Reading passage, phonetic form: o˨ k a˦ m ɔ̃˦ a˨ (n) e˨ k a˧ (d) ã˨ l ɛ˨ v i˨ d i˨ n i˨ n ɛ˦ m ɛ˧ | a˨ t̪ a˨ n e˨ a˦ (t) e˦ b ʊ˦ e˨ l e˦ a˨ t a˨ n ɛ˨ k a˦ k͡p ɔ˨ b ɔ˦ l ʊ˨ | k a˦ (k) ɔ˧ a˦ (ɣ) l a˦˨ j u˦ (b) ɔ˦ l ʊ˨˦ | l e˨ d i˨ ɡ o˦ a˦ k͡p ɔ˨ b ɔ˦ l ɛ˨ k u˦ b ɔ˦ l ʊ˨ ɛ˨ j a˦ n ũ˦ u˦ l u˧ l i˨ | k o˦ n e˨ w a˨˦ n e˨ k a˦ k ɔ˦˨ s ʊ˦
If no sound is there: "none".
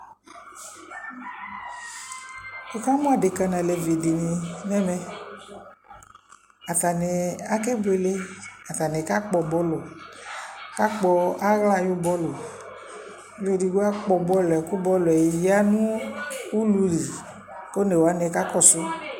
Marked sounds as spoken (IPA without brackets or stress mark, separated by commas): d, n, k, k͡p, ɣ, b